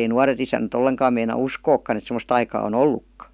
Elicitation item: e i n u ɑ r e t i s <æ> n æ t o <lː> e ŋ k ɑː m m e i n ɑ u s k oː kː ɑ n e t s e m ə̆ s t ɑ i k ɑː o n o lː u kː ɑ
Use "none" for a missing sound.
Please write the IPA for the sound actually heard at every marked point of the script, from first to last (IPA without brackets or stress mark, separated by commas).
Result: æ, lː